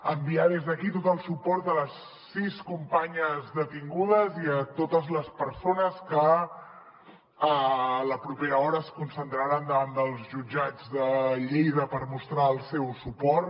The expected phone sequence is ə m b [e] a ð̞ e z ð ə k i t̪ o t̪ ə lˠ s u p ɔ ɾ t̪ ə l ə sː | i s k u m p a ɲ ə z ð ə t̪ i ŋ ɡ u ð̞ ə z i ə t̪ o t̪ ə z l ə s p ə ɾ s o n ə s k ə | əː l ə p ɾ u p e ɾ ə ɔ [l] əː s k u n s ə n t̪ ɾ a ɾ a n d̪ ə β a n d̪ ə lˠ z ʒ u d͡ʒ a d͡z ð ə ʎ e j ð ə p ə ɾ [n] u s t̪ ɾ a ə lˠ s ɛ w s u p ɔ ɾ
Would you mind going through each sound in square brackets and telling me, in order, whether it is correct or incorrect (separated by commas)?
incorrect, incorrect, incorrect